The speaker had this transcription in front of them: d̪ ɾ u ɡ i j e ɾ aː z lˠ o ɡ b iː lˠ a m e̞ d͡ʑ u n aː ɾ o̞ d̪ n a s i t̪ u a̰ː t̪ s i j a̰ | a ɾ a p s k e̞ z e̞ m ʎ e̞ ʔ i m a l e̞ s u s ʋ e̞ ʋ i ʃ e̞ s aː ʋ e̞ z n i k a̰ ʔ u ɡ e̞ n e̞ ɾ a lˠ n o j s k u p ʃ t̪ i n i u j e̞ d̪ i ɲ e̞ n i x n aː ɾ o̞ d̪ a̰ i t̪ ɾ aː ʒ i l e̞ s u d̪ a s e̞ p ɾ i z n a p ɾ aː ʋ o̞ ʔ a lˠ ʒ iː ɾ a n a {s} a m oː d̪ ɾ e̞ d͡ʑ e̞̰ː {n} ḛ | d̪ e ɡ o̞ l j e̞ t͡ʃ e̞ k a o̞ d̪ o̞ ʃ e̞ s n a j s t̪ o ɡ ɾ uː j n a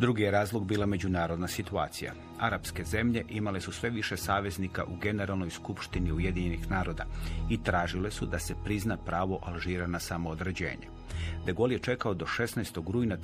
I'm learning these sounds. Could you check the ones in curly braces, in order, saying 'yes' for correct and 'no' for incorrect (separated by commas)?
yes, no